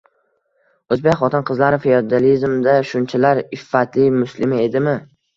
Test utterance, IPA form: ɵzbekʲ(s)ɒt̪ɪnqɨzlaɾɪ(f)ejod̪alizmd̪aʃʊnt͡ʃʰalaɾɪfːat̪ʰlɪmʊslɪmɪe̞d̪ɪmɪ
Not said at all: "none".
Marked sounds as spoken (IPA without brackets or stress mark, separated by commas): χ, f